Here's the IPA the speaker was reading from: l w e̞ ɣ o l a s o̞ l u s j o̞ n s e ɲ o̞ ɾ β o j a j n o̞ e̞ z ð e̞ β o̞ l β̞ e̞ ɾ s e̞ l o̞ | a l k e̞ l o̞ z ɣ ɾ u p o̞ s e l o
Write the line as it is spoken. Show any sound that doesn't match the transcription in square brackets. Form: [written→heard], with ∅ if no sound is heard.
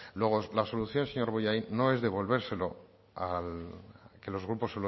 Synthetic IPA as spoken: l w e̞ ɣ o l a s o̞ l u [s→θ] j o̞ n s e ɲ o̞ ɾ β o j a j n o̞ e̞ z ð e̞ β o̞ l β̞ e̞ ɾ s e̞ l o̞ | a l k e̞ l o̞ z ɣ ɾ u p o̞ s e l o